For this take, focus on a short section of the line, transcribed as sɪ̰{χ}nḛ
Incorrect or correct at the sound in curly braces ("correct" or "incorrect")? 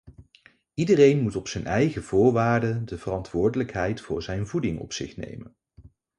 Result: correct